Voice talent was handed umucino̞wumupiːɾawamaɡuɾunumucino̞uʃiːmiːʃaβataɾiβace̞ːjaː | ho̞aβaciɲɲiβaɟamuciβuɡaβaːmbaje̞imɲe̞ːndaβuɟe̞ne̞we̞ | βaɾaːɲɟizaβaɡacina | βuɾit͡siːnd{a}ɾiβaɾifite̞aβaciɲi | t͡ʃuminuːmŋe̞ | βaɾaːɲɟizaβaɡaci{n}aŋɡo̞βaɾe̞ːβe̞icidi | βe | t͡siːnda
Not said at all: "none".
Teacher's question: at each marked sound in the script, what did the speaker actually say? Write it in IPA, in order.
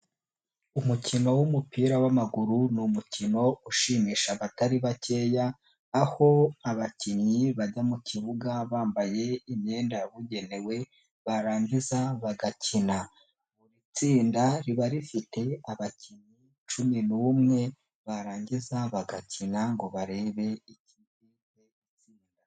a, n

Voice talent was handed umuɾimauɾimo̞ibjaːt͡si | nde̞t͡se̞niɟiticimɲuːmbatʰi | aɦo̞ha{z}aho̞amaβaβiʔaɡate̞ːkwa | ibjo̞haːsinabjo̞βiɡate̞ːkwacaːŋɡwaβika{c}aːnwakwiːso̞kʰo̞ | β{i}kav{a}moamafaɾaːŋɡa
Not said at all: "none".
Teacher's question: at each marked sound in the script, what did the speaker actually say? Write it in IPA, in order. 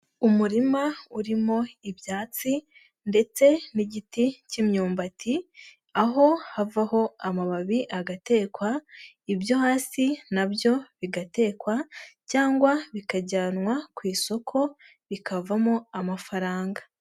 v, ɟ, i, a

